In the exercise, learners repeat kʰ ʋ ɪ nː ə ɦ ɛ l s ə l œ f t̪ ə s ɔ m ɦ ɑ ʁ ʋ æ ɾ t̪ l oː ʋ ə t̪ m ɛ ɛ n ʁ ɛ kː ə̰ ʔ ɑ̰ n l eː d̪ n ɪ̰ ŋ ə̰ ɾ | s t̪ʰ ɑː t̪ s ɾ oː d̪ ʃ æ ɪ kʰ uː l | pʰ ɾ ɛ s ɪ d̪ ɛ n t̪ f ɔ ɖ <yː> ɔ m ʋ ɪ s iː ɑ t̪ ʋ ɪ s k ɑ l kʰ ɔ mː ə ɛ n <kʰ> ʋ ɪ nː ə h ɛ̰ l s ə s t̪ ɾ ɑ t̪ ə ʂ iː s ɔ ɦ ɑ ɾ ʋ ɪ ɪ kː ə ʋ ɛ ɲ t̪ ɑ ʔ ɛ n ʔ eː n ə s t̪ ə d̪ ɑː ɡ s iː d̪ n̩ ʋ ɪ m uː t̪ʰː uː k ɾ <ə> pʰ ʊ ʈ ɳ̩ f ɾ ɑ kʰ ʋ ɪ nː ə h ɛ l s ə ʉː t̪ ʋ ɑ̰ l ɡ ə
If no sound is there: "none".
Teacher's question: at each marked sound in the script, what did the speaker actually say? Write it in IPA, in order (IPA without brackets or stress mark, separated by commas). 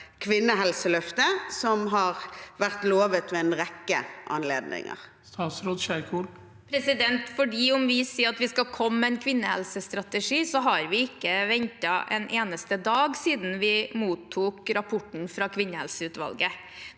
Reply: iː, kʰ, ɑ